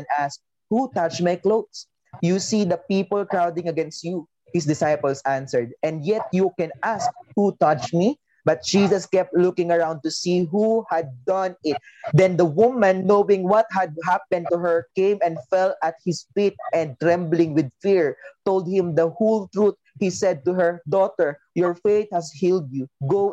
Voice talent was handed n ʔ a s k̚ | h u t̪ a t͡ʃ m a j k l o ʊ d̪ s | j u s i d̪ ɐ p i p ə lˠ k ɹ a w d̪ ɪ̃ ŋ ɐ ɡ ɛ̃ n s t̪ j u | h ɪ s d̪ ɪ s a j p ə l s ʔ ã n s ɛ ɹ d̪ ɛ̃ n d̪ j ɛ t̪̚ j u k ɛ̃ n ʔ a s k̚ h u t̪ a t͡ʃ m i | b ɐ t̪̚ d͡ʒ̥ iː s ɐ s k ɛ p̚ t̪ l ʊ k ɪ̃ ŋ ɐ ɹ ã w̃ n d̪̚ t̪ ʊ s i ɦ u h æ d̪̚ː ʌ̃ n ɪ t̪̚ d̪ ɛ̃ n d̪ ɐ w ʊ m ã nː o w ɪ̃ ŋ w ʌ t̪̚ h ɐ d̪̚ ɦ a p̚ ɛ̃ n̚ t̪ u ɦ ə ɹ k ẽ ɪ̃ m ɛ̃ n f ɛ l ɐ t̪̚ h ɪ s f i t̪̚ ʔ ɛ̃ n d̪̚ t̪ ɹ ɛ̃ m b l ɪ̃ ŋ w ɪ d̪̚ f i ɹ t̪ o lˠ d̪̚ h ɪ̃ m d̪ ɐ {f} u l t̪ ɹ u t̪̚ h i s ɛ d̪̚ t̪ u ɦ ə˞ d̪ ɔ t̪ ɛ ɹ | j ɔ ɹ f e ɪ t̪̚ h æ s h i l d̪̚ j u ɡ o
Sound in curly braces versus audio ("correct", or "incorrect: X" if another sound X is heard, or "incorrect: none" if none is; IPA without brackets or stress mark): incorrect: h